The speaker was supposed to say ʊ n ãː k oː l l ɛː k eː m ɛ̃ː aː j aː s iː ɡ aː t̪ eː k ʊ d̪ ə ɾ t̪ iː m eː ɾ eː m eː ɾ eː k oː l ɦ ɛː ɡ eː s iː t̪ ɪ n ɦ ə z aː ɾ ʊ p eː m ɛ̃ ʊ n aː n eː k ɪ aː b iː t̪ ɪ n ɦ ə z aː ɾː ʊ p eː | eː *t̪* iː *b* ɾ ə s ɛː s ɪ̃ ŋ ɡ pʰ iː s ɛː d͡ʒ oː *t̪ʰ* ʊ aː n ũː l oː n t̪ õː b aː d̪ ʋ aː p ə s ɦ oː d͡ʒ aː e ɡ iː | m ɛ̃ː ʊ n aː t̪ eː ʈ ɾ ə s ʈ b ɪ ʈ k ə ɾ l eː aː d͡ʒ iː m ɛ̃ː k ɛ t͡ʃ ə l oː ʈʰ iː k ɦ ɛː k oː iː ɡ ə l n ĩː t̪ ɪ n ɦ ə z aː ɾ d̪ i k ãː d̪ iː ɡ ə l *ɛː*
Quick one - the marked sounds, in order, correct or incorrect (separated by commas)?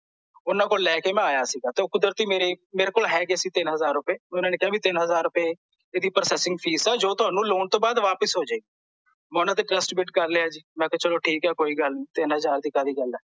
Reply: incorrect, incorrect, incorrect, correct